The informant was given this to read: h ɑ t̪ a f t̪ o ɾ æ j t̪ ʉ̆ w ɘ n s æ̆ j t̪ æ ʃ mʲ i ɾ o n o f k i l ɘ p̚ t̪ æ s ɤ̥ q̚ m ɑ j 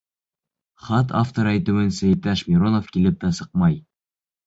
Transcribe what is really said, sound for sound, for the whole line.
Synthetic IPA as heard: χ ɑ t̪ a f t̪ o ɾ æ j t̪ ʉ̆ w ɘ n s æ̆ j t̪ æ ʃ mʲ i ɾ o n o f k i l ɘ p̚ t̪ æ s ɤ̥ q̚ m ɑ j

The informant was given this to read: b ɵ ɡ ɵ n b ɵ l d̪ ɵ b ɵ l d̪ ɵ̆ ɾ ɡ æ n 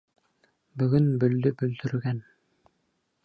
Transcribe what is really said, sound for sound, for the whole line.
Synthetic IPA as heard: b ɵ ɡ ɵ n b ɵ l d̪ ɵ b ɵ l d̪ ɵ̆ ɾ ɡ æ n

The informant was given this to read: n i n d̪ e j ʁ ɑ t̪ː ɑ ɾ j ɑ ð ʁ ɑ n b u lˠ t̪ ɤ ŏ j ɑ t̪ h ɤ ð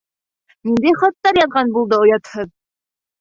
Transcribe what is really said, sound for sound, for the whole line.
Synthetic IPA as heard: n i n d̪ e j χ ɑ t̪ː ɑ ɾ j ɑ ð ʁ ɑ n b u lˠ d̪ ɤ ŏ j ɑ t̪ h ɤ ð

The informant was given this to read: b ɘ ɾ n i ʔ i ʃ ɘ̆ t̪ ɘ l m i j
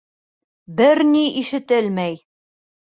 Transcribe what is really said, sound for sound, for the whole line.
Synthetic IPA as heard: b ɘ ɾ n i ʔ i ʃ ɘ̆ t̪ ɘ l m æ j

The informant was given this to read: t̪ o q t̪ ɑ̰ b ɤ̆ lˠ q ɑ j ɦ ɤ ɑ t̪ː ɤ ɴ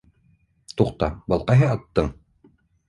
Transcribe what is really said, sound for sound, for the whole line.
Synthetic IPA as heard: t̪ u q t̪ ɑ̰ b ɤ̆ lˠ q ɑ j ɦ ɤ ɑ t̪ː ɤ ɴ

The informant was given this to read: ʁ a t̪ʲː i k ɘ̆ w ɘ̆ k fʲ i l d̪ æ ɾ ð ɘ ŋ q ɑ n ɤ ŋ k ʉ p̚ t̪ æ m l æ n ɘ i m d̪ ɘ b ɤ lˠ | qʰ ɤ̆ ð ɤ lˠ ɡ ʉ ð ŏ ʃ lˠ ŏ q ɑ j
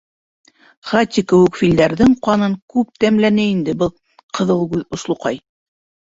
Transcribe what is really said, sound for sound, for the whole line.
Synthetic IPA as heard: χ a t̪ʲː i k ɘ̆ w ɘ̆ k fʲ i l d̪ æ ɾ ð ɘ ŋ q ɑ n ɤ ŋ k ʉ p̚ t̪ æ m l æ n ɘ i n d̪ ɘ b ɤ lˠ | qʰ ɤ̆ ð ɤ lˠ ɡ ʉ ð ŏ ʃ lˠ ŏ q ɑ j

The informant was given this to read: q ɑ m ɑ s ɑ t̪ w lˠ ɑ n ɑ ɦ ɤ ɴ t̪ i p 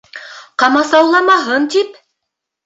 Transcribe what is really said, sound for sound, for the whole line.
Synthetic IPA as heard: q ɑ m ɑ s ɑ w lˠ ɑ m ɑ ɦ ɤ n t̪ i p

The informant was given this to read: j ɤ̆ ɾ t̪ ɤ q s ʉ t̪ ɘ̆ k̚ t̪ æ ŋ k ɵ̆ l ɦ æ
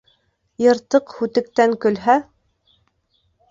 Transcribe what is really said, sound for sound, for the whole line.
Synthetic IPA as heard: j ɤ̆ ɾ t̪ ɤ q h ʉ t̪ ɘ̆ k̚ t̪ æ ŋ k ɵ̆ l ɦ æ

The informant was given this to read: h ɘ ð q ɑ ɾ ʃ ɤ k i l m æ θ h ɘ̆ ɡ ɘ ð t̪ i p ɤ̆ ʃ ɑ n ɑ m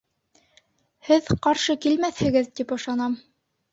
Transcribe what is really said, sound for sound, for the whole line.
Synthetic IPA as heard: h ɘ ð q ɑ ɾ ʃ ɤ k i l m æ θ h ɘ̆ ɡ ɘ ð t̪ i p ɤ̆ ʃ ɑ n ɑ m

